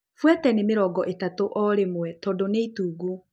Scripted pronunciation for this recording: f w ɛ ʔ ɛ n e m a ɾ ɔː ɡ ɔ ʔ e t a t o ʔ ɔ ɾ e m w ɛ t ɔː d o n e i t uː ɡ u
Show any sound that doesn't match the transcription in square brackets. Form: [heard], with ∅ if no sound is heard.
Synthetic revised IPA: f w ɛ [t] ɛ n e m [e] ɾ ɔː ɡ ɔ ʔ e t a t o ʔ ɔ ɾ e m w ɛ t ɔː d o n e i t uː ɡ u

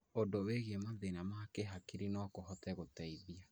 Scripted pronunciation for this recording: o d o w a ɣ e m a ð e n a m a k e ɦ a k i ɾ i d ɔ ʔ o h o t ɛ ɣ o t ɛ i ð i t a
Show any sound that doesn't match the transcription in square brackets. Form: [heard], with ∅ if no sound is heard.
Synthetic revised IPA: o d o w [e] ɣ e m a ð e n a m a k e ɦ a k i ɾ i [n] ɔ [k] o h [ɔ] t ɛ ɣ o t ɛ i ð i [∅] a

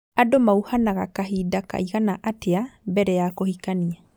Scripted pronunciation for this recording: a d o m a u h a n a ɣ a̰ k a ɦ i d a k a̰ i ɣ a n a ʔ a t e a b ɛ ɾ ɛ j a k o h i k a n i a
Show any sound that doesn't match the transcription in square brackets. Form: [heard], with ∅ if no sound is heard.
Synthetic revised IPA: a d o m a u h a n a ɣ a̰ k a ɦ i d a k a̰ i ɣ a n a ʔ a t e a b ɛ ɾ ɛ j a k o h i k a n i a

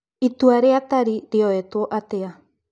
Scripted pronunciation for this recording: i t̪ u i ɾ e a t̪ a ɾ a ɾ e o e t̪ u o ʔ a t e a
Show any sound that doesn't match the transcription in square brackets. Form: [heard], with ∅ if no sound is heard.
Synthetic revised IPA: i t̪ u [a] ɾ e a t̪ a ɾ [i] ɾ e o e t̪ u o ʔ a t e a

